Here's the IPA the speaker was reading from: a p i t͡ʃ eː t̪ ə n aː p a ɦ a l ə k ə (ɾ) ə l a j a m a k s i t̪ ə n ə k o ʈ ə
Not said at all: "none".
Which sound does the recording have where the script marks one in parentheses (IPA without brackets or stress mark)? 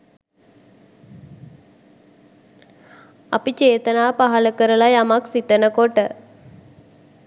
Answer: ɾ